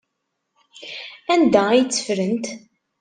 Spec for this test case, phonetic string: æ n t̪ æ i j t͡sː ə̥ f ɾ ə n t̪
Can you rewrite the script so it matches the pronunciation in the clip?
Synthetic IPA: æ n d̪ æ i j t͡sː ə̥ f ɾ ə n t̪